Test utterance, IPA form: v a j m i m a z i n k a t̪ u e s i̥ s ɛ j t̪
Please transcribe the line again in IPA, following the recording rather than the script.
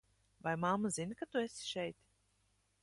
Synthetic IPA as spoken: v a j m a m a z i n k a t̪ u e s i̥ ʃ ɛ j t̪